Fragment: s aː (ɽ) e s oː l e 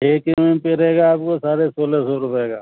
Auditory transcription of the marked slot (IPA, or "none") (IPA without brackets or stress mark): ɾ